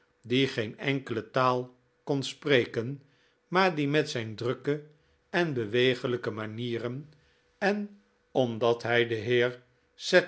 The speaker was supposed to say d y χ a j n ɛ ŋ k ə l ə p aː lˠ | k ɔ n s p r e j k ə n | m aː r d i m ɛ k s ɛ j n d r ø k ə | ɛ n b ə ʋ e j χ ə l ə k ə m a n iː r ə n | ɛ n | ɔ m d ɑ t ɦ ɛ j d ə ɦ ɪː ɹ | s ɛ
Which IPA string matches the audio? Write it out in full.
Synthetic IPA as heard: d i χ e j n ɛ ŋ k ə l ə t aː lˠ | k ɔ n s p r e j k ə n | m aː ɹ d i m ɛ t s ɛ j n d r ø k ə | ɛ n b ə ʋ e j χ ə l ə k ə m a n iː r ə n | ɛ n | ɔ m d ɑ t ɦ ɛ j d ə ɦ ɪː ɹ | s ɛ